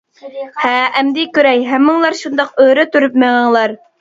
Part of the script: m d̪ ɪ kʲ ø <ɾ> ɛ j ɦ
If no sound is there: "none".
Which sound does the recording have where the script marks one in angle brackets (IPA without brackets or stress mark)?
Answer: ɾ